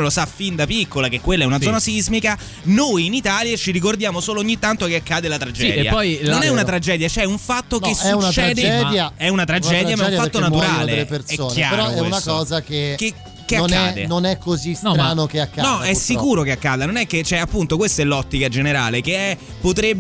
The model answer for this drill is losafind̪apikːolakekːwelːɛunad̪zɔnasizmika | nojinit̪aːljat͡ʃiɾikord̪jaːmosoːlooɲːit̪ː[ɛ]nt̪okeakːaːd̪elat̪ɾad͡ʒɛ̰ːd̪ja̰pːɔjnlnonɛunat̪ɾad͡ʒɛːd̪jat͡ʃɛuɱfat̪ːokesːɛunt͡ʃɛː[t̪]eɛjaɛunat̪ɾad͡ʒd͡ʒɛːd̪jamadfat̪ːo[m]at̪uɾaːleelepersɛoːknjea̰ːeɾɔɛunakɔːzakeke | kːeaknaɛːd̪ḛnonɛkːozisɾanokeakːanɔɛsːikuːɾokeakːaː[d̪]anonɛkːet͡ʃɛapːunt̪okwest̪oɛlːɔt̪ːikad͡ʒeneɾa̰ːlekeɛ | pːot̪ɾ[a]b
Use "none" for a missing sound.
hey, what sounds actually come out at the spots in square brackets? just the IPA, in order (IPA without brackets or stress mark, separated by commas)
a, d̪, n, d̪, e